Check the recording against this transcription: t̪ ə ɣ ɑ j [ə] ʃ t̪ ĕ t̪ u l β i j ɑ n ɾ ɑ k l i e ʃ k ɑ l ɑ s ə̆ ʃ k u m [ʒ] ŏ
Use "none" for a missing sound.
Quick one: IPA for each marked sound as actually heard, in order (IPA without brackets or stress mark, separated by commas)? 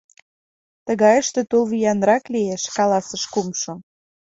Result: ə, ʃ